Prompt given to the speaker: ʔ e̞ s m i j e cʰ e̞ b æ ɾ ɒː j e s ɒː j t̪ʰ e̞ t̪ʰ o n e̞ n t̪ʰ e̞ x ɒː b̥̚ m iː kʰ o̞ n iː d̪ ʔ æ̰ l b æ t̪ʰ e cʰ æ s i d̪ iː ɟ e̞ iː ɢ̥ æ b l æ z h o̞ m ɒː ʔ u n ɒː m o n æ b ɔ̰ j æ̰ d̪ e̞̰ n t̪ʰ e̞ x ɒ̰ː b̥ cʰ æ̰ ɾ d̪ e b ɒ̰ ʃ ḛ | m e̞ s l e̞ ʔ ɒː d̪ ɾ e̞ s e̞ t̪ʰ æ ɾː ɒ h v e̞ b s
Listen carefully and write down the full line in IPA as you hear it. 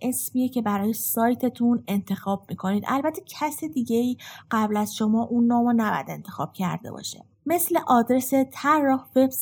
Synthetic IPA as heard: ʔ e̞ s m i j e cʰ e̞ b æ ɾ ɒː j e s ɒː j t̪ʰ e̞ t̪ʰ u n e̞ n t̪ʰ e̞ x ɒː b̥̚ m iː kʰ o̞ n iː d̪ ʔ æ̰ l b æ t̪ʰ e cʰ æ s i d̪ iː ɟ e̞ iː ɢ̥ æ b l æ z ʃ o̞ m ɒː ʔ u nː ɒː m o n æ b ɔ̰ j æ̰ d̪ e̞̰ n t̪ʰ e̞ x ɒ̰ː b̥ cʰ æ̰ ɾ d̪ e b ɒ̰ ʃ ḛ | m e̞ s l e̞ ʔ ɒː d̪ ɾ e̞ s e̞ t̪ʰ æ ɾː ɒ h v e̞ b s